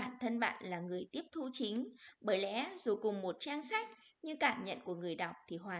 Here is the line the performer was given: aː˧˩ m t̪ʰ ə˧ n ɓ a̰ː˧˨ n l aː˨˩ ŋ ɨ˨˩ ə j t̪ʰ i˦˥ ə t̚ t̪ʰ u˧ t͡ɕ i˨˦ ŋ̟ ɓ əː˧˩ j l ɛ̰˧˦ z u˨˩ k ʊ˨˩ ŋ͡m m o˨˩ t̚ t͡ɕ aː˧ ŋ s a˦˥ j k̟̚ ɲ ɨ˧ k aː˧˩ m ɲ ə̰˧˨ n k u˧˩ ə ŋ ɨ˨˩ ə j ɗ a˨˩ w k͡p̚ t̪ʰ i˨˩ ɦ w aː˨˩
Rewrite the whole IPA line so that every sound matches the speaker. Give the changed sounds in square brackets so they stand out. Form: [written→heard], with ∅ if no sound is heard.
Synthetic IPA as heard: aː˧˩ [m→n] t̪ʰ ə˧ n ɓ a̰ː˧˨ n l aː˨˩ ŋ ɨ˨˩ ə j [t̪ʰ→t̪] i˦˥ ə [t̚→p̚] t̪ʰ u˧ t͡ɕ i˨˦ ŋ̟ ɓ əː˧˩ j l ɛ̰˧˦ z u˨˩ k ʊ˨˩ ŋ͡m m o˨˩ t̚ t͡ɕ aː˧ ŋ s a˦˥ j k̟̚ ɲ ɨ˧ k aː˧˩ m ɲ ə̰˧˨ n k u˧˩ ə ŋ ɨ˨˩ ə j ɗ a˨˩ w k͡p̚ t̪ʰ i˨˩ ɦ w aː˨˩

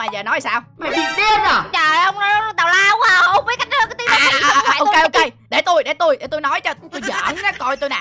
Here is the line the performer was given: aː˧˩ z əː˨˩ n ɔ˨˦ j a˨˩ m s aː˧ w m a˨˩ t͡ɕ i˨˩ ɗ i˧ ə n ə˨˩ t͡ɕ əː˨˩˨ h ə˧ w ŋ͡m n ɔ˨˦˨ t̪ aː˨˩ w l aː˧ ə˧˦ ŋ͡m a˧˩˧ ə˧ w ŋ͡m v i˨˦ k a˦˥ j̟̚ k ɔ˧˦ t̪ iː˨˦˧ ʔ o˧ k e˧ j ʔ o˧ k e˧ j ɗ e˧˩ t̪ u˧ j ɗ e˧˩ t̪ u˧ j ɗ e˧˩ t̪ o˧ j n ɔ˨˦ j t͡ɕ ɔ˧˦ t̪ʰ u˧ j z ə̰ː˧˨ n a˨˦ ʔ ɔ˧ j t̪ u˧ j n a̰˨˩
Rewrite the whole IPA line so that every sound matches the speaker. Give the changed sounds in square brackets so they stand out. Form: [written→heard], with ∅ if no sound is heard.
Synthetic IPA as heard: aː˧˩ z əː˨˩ n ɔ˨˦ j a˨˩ [m→∅] s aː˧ w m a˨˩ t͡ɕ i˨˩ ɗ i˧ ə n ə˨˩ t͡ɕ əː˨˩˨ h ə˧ w ŋ͡m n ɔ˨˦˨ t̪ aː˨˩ w l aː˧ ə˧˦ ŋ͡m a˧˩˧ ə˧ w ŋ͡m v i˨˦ k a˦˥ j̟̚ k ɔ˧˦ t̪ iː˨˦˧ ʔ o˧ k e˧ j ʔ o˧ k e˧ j ɗ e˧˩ t̪ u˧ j ɗ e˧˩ t̪ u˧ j ɗ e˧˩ t̪ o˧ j n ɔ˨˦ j t͡ɕ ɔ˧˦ [t̪ʰ→t̪] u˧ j z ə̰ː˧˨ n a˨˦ [ʔ→k] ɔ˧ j t̪ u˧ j n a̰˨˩

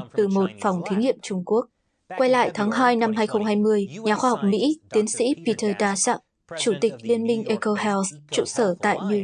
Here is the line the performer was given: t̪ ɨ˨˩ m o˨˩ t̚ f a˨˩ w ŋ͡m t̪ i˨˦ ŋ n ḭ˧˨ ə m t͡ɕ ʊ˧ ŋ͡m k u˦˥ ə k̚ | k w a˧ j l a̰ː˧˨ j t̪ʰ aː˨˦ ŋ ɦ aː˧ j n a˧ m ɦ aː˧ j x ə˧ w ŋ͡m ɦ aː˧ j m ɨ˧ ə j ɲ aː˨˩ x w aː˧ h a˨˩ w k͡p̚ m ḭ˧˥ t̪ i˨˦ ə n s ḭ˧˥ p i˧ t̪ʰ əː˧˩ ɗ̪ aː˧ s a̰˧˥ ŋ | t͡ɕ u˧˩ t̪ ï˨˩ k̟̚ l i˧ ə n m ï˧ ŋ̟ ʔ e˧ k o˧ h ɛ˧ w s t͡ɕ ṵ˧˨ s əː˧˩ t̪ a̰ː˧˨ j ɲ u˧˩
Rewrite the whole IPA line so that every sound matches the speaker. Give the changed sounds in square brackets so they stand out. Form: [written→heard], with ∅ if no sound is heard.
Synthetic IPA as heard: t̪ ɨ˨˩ m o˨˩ t̚ f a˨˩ w ŋ͡m [t̪→t̪ʰ] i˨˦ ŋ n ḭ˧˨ ə m t͡ɕ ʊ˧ ŋ͡m k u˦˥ ə k̚ | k w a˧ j l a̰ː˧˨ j t̪ʰ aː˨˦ ŋ ɦ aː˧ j n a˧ m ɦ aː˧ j x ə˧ w ŋ͡m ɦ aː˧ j m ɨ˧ ə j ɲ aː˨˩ x w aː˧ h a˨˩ w k͡p̚ m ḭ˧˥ t̪ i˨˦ ə n s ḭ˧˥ p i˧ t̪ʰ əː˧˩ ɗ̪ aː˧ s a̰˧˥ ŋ | t͡ɕ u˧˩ t̪ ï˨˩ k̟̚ l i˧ ə n m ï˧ ŋ̟ ʔ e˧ k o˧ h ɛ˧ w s t͡ɕ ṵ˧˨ s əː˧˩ t̪ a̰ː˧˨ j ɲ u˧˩

